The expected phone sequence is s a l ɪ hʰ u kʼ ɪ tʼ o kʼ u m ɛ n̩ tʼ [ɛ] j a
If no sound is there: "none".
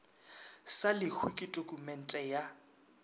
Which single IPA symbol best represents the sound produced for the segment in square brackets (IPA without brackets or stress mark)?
ɛ